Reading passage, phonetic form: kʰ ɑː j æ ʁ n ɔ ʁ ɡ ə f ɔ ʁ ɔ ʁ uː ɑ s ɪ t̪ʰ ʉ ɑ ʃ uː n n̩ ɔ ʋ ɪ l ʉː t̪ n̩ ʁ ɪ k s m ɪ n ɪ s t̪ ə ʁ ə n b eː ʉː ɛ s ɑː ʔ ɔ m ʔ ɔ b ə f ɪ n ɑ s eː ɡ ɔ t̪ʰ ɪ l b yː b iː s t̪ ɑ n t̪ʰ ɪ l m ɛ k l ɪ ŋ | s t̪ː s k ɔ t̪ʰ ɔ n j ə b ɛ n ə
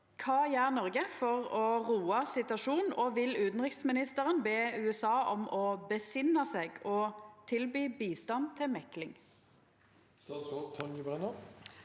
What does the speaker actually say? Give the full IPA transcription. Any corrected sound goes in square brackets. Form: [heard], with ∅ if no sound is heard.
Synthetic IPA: kʰ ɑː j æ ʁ n ɔ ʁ ɡ ə f ɔ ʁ ɔ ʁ uː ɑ s ɪ [t̪] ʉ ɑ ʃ uː n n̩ ɔ ʋ ɪ l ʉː t̪ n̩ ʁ ɪ k s m ɪ n ɪ s t̪ ə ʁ ə n b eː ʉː ɛ s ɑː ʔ ɔ m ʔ ɔ b ə [s] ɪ n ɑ s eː ɡ ɔ t̪ʰ ɪ l b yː b iː s t̪ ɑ n t̪ʰ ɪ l m ɛ k l ɪ ŋ | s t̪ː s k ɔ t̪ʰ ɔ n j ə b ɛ n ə